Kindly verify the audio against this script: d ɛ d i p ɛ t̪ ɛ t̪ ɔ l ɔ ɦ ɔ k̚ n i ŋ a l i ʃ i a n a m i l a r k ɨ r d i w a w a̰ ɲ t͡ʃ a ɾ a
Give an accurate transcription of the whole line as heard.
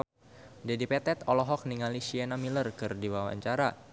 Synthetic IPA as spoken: d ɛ d i p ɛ t̪ ɛ t̪ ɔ l ɔ ɦ ɔ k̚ n i ŋ a l i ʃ i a n a m i l ə r k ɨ r d i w a w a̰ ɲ t͡ʃ a ɾ a